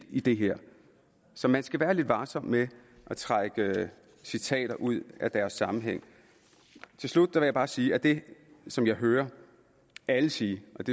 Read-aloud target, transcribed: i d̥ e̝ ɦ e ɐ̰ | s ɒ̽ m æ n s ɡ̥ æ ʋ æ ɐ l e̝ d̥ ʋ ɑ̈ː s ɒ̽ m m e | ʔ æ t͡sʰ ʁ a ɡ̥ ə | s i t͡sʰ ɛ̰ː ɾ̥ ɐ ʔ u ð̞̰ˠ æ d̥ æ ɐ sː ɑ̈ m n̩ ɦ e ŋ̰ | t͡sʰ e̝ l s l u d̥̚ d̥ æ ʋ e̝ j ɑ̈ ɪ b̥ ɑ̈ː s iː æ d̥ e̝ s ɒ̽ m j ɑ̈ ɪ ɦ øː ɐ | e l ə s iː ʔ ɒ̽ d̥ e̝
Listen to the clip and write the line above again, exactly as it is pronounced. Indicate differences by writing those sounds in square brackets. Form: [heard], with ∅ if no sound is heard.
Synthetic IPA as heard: i d̥ e̝ ɦ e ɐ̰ | s ɒ̽ m æ n s ɡ̥ æ ʋ [æː] ɐ l e̝ d̥ ʋ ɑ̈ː s ɒ̽ m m e | ʔ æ t͡sʰ ʁ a ɡ̥ ə | s i t͡sʰ ɛ̰ː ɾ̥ ɐ ʔ u ð̞̰ˠ æ d̥ æ ɐ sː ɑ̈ m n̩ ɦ e ŋ̰ | t͡sʰ e̝ l s l u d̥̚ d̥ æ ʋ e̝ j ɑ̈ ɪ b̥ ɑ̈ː s iː æ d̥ e̝ s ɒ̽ m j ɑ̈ ɪ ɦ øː ɐ | [æ] l ə s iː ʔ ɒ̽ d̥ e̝

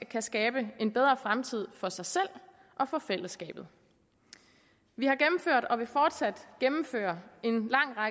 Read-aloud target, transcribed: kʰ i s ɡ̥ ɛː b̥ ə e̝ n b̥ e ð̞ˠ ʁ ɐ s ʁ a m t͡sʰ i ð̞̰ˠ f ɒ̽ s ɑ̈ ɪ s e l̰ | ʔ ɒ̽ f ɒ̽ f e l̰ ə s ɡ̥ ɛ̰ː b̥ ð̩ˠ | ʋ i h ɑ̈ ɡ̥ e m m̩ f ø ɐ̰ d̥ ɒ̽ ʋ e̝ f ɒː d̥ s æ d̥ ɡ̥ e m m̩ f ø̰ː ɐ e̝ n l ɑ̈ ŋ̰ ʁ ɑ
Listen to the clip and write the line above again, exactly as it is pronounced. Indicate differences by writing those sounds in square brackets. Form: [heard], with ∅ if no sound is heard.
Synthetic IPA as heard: kʰ [æ] s ɡ̥ ɛː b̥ ə e̝ n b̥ e ð̞ˠ ʁ ɐ [f] ʁ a m t͡sʰ i ð̞̰ˠ f ɒ̽ s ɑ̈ ɪ s e l̰ | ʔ ɒ̽ f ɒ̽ f e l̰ ə s ɡ̥ ɛ̰ː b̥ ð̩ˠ | ʋ i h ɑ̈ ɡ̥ e m m̩ f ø ɐ̰ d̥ ɒ̽ ʋ e̝ f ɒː d̥ s æ d̥ ɡ̥ e m m̩ f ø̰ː ɐ e̝ n l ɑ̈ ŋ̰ ʁ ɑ

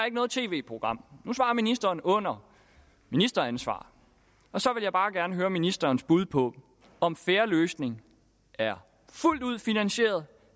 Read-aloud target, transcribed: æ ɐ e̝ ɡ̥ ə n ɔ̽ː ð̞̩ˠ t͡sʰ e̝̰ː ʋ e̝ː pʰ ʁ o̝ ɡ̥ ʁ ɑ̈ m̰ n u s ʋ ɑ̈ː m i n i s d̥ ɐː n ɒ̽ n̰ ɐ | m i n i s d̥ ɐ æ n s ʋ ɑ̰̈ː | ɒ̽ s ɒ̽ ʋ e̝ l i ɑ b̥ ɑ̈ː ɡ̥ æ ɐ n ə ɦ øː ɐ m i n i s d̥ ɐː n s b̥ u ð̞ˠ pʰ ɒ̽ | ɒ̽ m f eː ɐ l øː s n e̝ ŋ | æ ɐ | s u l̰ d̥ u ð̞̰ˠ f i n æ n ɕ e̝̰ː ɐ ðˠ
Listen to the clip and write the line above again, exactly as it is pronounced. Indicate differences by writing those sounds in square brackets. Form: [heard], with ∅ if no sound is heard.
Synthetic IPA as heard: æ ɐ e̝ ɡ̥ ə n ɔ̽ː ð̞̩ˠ t͡sʰ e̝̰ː ʋ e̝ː pʰ ʁ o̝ ɡ̥ ʁ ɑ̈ m̰ n u s ʋ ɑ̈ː m i n i s d̥ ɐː n [ɔ̽] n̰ ɐ | m i n i s d̥ ɐ æ n s ʋ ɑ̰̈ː | ɒ̽ s ɒ̽ ʋ e̝ l [j] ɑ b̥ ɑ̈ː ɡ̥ æ ɐ n ə ɦ øː ɐ m i n i s d̥ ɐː n s b̥ u ð̞ˠ pʰ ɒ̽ | ɒ̽ m f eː ɐ l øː s n e̝ ŋ | æ ɐ | [f] u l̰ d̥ u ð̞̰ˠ f i n æ n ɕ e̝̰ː ɐ ðˠ

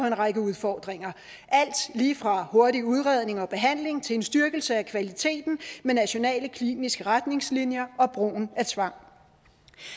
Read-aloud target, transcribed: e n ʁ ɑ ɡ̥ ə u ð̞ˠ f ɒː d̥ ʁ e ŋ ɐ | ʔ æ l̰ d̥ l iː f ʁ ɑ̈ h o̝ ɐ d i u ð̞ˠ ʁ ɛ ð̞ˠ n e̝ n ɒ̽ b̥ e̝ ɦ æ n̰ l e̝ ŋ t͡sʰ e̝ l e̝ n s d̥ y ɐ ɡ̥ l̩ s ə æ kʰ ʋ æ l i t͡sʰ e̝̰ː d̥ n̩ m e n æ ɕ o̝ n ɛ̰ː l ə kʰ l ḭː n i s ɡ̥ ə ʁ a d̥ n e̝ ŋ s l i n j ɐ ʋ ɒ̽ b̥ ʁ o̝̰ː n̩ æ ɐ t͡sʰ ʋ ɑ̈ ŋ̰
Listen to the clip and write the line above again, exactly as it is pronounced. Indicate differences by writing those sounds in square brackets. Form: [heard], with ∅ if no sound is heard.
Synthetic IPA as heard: e n ʁ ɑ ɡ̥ ə u ð̞ˠ f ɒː d̥ ʁ e ŋ ɐ | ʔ æ l̰ d̥ l iː f ʁ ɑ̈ h o̝ ɐ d i u ð̞ˠ ʁ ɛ ð̞ˠ n e̝ [ŋ] ɒ̽ b̥ e̝ ɦ æ n̰ l e̝ ŋ t͡sʰ e̝ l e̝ n s d̥ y ɐ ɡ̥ l̩ s ə æ kʰ ʋ æ l i t͡sʰ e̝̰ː d̥ n̩ m e n æ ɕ o̝ n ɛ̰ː l ə kʰ l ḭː n i s ɡ̥ ə ʁ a d̥ n e̝ ŋ s l i n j ɐ [∅] ɒ̽ b̥ ʁ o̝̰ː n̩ æ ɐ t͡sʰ ʋ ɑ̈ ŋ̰

